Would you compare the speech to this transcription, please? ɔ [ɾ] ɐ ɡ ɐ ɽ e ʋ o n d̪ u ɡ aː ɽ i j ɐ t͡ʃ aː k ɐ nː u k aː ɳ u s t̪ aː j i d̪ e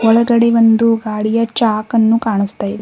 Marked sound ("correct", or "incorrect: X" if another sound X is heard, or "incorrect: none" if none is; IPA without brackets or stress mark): incorrect: ɭ